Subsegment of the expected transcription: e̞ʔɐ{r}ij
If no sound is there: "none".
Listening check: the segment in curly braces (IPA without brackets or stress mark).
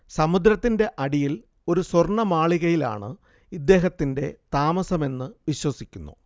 ɽ